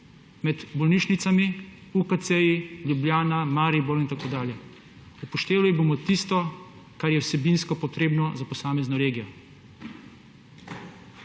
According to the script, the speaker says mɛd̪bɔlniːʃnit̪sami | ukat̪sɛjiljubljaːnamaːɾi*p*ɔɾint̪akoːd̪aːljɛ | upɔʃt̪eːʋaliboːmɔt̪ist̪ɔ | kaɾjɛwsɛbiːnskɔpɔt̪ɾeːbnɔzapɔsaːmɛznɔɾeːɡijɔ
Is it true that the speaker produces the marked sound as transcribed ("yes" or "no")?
no